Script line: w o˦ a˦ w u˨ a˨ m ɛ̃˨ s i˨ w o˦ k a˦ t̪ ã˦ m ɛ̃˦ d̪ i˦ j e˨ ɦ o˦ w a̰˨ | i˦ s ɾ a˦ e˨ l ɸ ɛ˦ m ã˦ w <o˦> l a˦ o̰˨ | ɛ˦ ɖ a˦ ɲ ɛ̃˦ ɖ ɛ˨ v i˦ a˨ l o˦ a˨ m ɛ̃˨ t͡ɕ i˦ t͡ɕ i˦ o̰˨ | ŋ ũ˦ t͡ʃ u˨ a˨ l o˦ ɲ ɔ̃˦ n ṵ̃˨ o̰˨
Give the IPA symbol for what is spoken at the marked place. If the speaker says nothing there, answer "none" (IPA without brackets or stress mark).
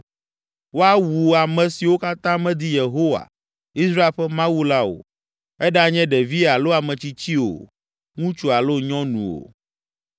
u˦